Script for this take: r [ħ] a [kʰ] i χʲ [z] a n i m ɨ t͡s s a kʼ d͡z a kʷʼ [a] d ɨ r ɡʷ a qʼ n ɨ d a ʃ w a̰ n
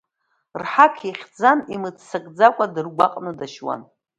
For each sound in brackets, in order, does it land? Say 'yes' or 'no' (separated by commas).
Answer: yes, yes, no, yes